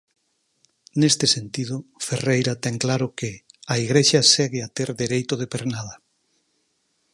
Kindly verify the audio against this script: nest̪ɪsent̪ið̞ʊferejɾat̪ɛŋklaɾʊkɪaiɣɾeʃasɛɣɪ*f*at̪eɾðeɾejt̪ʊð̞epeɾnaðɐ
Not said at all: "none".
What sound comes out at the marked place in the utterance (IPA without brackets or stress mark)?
none